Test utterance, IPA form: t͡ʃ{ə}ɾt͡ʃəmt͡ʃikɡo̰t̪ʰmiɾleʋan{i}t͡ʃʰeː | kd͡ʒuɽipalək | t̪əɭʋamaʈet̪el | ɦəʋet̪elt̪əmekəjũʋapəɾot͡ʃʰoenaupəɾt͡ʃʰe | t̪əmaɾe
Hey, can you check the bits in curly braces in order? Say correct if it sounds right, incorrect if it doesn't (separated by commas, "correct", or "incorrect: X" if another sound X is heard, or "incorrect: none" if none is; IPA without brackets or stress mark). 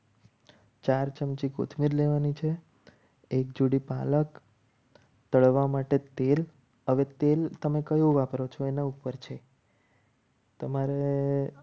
incorrect: a, correct